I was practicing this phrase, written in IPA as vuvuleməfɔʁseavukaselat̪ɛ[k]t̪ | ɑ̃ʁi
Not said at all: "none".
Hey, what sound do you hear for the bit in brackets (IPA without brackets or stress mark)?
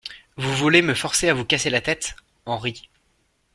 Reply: none